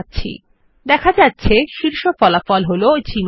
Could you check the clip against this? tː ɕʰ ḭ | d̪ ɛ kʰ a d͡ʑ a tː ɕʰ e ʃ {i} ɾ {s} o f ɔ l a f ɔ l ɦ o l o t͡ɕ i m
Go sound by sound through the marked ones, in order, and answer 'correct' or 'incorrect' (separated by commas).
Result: correct, incorrect